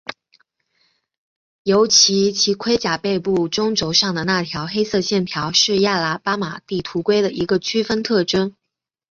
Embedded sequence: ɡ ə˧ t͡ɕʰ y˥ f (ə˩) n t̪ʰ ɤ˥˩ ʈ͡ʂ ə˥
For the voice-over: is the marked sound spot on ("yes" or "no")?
no